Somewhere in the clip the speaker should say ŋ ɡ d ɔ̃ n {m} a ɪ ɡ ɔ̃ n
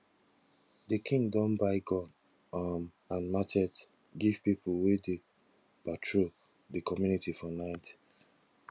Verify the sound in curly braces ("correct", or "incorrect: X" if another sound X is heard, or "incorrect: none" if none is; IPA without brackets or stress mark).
incorrect: b